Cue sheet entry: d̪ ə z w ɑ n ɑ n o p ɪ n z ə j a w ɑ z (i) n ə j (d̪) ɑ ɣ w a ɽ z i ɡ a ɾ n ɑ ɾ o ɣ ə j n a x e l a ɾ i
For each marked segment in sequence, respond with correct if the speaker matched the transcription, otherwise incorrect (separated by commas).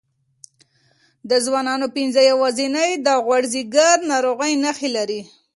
correct, correct